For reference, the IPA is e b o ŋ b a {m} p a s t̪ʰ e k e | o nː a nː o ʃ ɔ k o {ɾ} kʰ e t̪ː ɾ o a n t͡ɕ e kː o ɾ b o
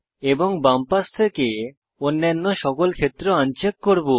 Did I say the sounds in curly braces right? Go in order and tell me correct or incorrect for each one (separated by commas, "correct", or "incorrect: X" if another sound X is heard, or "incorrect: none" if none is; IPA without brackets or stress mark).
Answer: correct, incorrect: l